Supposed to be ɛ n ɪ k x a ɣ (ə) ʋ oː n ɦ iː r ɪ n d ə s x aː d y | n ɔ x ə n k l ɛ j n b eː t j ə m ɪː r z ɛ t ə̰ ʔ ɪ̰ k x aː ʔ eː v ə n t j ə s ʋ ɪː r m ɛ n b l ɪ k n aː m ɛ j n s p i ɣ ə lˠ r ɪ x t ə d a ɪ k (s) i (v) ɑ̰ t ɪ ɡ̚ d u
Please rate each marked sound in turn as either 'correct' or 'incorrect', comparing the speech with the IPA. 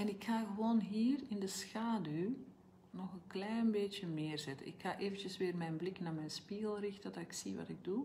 correct, correct, incorrect: ʋ

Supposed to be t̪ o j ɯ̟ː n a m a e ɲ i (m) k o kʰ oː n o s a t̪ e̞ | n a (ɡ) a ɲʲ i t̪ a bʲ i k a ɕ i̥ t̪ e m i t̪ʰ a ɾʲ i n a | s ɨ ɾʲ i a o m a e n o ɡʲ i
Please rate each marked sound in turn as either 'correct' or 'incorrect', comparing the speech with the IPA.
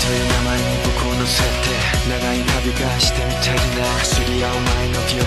incorrect: none, correct

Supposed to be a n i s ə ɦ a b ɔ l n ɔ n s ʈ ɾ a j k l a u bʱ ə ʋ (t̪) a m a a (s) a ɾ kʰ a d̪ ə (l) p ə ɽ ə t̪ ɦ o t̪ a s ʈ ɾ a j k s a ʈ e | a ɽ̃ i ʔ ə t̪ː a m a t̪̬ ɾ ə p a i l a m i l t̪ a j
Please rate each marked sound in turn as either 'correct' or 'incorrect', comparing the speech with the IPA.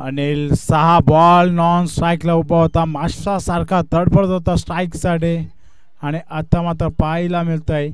correct, correct, incorrect: ɽ

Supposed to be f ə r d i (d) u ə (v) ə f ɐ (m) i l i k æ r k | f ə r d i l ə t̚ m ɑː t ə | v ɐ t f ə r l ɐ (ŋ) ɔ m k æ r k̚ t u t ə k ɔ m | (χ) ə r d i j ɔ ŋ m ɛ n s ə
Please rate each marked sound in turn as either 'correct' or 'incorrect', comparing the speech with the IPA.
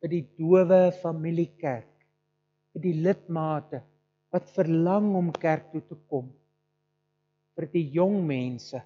correct, correct, correct, correct, incorrect: f

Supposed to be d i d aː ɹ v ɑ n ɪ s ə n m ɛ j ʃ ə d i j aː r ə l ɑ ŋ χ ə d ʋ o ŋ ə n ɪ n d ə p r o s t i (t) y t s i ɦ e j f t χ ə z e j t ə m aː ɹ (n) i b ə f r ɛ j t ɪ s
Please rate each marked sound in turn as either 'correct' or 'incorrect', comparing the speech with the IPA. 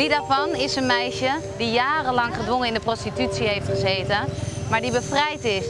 correct, incorrect: d

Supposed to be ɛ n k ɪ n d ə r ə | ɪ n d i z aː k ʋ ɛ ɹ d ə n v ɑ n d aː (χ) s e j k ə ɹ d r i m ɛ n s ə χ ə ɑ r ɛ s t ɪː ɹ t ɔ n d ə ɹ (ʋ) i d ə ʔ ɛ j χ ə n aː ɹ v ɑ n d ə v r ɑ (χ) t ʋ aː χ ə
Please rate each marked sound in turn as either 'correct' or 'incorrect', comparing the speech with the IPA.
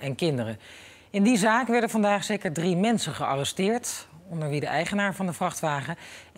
correct, correct, correct

